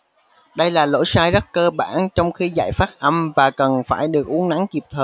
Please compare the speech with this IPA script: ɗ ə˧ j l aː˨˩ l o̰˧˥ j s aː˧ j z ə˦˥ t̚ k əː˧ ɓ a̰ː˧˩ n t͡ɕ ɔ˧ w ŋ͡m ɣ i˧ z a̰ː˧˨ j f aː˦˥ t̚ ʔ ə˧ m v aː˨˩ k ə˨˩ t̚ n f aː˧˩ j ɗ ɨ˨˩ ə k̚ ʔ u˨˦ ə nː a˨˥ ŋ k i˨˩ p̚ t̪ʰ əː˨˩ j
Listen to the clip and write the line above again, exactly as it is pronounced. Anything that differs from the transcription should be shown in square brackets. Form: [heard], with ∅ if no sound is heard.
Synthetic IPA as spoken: ɗ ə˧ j l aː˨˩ l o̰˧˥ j s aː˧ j z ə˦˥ t̚ k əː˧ ɓ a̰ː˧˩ n t͡ɕ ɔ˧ w ŋ͡m [x] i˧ z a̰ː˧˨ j f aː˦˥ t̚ ʔ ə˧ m v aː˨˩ k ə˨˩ [∅] n f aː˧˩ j ɗ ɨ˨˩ ə k̚ ʔ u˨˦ ə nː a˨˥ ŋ k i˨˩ p̚ t̪ʰ əː˨˩ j